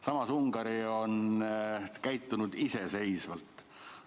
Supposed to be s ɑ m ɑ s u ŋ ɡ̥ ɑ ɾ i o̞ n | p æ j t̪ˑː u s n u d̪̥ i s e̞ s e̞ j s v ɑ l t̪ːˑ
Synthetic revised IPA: s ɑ m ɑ s u ŋ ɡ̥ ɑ ɾ i o̞ n | k æ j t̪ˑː u n u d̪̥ i s e̞ s e̞ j s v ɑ l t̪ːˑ